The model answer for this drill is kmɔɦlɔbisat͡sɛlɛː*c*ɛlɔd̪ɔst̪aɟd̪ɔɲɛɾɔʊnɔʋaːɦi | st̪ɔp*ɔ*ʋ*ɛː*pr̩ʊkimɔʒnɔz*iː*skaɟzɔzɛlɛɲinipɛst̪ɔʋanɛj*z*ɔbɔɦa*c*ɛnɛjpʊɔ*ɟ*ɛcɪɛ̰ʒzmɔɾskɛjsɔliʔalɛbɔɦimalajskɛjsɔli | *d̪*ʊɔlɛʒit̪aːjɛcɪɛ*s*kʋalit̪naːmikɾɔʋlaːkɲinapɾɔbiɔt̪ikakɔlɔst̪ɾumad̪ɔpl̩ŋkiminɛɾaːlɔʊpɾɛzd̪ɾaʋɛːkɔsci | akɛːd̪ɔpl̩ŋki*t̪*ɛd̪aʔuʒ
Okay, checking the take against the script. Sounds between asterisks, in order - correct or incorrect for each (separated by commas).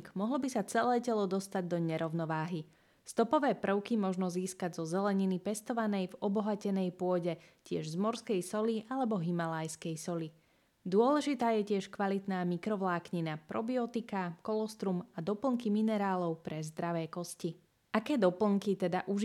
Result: correct, correct, correct, correct, incorrect, correct, correct, correct, incorrect, correct